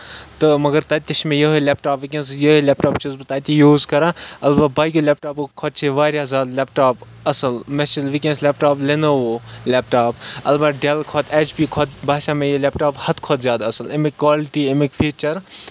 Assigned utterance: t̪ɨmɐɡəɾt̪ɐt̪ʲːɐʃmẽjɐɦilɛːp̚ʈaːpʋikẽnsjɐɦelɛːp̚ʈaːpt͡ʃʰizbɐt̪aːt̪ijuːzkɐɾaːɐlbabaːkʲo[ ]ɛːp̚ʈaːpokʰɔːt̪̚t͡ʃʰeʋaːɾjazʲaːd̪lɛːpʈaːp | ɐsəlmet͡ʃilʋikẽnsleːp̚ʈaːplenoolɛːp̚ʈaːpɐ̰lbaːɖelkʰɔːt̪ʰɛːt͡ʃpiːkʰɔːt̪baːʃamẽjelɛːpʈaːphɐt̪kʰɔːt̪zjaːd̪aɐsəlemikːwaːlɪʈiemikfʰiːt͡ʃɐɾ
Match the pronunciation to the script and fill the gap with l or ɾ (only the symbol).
l